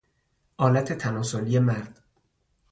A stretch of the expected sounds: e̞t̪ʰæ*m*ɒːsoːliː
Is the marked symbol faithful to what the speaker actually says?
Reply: no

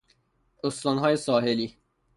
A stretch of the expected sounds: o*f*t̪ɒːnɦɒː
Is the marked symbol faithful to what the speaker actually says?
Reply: no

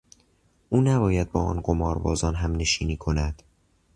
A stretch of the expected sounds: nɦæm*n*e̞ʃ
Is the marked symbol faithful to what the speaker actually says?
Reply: yes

